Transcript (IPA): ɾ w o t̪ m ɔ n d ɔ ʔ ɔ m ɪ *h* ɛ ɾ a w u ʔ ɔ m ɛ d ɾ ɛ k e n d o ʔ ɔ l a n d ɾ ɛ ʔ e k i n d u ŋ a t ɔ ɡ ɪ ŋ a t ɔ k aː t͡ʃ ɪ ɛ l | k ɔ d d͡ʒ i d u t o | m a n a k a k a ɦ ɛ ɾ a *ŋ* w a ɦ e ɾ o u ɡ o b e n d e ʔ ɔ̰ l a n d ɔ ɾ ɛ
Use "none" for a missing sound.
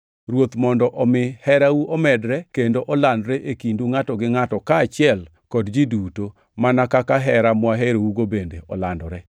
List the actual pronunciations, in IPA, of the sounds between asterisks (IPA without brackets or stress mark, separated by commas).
h, m